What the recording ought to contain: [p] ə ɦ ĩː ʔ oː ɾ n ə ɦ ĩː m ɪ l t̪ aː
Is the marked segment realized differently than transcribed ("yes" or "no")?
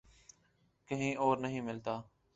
yes